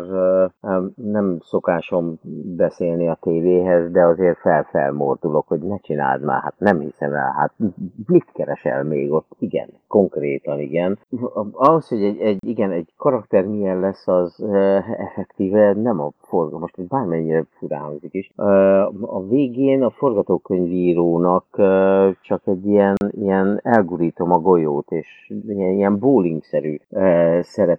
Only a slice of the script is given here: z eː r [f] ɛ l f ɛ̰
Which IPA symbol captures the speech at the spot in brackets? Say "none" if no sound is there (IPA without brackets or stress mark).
f